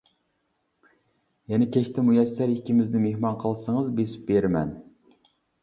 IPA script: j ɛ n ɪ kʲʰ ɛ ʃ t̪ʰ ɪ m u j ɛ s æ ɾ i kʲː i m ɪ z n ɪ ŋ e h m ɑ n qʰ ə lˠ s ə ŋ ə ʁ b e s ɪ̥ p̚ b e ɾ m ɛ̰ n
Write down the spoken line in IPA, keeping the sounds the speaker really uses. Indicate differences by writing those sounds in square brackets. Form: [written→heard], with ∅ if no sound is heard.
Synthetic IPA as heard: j ɛ n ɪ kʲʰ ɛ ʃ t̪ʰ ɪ m u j ɛ s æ ɾ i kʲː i m ɪ z n ɪ [ŋ→m] e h m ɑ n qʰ ə lˠ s ə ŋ ə [ʁ→z] b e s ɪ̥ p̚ b e ɾ m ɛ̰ n